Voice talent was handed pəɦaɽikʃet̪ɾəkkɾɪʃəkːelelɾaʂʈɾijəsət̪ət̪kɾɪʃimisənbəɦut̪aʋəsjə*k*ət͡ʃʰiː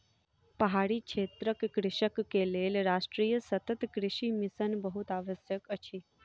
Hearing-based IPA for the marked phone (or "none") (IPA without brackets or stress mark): k